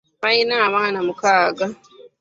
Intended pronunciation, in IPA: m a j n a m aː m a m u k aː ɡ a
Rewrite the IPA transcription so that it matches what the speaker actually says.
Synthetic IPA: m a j n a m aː n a m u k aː ɡ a